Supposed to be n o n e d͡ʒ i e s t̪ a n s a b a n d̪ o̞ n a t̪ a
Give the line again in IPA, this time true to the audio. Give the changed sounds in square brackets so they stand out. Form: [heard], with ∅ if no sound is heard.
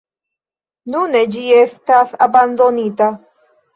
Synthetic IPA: n [u] n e d͡ʒ i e s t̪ a [∅] s a b a n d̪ o̞ n [i] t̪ a